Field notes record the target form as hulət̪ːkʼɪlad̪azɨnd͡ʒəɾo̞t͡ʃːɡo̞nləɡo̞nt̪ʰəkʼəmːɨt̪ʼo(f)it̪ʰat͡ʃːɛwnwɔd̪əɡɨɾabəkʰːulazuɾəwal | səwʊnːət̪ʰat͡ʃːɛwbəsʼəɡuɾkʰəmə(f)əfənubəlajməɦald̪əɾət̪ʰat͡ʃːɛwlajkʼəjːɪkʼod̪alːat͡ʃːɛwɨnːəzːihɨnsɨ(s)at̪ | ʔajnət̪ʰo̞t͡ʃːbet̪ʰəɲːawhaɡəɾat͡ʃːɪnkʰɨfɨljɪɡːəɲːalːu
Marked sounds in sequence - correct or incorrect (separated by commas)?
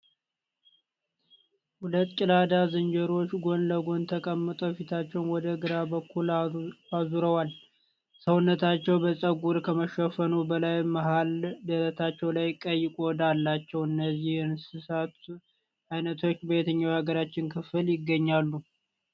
correct, incorrect, correct